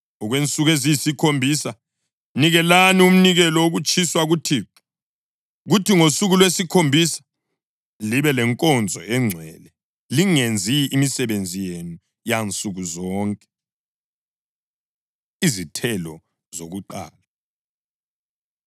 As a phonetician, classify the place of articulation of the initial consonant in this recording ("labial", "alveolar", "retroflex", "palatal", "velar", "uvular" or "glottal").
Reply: velar